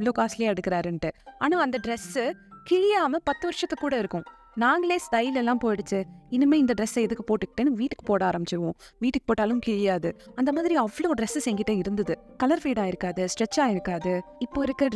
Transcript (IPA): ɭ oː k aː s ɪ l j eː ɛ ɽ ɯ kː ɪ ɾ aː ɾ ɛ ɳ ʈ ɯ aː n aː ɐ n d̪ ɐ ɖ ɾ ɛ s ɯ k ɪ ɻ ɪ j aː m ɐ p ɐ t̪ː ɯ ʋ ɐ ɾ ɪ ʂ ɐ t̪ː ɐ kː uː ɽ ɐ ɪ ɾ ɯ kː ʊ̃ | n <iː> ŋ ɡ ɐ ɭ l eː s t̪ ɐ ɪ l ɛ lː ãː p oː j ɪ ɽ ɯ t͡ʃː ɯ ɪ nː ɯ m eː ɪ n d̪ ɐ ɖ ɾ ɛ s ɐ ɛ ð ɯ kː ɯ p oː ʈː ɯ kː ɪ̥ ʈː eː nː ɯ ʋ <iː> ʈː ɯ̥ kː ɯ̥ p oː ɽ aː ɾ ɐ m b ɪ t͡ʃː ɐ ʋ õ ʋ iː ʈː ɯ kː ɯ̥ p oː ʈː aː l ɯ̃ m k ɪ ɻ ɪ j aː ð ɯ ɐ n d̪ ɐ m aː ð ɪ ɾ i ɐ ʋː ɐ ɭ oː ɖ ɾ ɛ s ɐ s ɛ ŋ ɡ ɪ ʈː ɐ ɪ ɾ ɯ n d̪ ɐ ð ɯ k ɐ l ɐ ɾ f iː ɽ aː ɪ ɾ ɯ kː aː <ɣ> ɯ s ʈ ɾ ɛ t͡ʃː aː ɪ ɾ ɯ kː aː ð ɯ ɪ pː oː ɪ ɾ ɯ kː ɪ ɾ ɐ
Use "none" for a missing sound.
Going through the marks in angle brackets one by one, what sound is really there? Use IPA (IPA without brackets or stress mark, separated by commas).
aː, iː, ð